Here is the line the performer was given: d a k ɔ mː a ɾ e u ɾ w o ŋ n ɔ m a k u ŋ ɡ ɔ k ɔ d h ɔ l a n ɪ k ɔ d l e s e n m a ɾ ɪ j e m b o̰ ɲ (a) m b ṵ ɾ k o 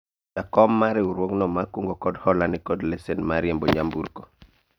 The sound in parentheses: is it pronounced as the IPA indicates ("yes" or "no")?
yes